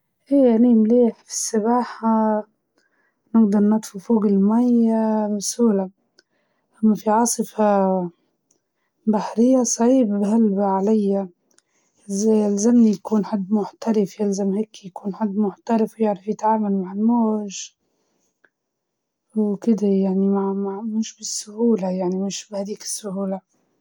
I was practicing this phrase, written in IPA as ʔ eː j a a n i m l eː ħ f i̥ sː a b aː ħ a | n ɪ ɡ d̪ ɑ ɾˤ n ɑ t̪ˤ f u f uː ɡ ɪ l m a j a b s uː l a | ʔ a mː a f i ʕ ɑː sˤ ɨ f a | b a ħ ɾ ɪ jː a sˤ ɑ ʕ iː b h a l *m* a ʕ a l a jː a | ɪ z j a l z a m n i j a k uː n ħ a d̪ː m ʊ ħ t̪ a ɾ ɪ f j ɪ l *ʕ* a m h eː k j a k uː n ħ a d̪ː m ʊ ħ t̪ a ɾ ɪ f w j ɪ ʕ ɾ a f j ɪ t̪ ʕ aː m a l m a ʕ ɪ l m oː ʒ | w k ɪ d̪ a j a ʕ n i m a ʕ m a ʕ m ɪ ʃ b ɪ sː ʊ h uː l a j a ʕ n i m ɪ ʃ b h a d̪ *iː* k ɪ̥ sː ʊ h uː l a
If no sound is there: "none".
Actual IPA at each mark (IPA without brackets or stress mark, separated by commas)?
b, z, iː